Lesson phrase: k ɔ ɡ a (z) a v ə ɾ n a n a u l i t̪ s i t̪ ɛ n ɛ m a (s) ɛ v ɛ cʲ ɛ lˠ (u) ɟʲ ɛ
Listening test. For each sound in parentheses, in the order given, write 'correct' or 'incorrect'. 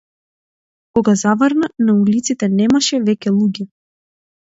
correct, incorrect, correct

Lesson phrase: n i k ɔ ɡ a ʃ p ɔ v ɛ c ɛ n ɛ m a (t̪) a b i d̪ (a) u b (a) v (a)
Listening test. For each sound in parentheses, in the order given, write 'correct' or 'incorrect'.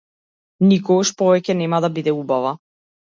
incorrect, incorrect, correct, correct

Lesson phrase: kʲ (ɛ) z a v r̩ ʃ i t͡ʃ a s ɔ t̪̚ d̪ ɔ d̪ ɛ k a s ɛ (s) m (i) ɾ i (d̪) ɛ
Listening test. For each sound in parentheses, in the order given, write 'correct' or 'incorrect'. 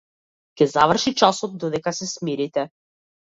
correct, correct, correct, incorrect

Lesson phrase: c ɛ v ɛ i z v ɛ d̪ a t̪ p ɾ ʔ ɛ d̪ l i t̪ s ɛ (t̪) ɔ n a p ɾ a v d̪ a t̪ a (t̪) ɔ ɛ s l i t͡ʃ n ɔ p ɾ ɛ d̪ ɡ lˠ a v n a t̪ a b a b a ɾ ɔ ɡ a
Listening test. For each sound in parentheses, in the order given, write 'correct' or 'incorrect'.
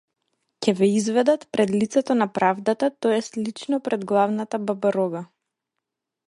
correct, correct

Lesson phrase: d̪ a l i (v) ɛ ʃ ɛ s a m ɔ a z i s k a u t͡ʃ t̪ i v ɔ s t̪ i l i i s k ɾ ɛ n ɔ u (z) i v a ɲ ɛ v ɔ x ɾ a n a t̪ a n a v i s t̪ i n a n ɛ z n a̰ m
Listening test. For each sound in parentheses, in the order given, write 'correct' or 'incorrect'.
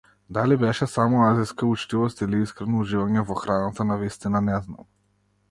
incorrect, incorrect

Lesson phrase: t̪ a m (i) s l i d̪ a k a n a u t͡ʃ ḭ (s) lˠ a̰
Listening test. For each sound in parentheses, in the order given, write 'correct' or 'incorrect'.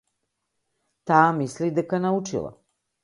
correct, incorrect

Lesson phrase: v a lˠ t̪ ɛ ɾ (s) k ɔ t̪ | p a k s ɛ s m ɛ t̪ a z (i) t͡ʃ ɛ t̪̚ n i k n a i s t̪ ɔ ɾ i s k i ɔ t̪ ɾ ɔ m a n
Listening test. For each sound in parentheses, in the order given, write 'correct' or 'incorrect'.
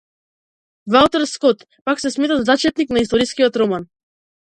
correct, incorrect

